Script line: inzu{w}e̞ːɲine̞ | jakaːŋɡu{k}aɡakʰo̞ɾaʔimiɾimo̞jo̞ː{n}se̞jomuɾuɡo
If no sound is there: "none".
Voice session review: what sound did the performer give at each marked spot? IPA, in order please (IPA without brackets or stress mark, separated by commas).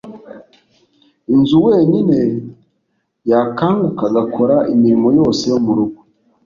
w, k, none